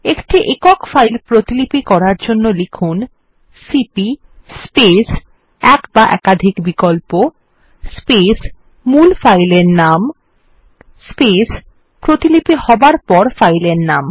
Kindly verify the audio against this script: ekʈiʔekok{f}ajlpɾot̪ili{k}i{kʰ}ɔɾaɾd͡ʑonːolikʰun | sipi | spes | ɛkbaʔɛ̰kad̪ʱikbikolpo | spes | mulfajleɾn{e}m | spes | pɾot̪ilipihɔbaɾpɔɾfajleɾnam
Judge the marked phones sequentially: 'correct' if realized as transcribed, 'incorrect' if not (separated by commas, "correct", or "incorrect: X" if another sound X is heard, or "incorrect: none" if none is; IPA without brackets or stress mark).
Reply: correct, incorrect: p, incorrect: k, incorrect: a